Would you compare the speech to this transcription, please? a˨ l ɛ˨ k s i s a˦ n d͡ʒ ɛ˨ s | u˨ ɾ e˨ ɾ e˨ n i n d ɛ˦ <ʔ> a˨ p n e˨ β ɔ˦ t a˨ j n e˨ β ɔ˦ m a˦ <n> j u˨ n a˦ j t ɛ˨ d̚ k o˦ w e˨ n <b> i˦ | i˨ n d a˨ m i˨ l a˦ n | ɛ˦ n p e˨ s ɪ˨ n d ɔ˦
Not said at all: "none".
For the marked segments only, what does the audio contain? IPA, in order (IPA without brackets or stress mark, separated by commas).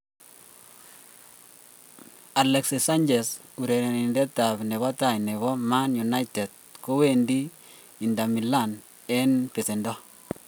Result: t, n, d